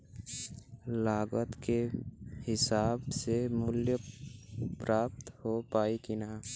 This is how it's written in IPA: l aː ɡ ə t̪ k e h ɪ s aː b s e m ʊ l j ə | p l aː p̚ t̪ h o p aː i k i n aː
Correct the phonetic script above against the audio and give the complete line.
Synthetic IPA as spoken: l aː ɡ ə t̪ k e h ɪ s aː b s e m ʊ l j ə | p ɾ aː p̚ t̪ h o p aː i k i n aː